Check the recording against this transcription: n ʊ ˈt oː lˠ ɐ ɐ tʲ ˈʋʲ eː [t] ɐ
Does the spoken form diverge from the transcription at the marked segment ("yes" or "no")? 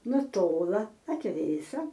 yes